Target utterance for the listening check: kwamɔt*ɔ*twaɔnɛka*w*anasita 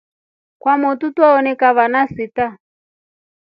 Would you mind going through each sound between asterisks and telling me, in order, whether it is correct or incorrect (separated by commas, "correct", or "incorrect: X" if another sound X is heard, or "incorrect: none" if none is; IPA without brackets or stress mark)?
incorrect: u, incorrect: β